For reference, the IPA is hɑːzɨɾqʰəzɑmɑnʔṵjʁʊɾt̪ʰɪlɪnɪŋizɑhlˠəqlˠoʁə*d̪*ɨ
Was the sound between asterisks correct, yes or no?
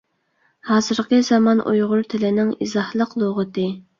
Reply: no